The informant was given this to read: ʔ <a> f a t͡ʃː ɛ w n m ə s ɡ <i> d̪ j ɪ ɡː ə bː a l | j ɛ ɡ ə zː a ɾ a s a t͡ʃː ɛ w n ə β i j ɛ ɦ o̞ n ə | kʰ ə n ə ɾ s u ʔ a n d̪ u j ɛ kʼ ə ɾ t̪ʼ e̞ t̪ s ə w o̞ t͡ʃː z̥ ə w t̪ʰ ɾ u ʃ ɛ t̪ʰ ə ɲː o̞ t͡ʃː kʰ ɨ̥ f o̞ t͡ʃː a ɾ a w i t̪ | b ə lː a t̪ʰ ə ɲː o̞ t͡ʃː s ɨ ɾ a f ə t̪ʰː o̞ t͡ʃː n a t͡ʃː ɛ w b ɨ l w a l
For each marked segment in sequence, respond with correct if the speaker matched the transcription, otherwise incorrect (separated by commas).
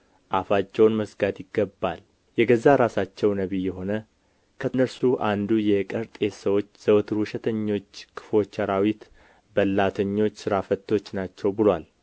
correct, incorrect